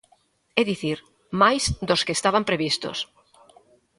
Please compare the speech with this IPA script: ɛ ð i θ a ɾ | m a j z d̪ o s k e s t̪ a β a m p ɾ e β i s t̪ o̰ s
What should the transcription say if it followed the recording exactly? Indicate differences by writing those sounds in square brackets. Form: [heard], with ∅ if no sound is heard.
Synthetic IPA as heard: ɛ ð i θ [i] ɾ | m a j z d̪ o s k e s t̪ a β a m p ɾ e β i s t̪ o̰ s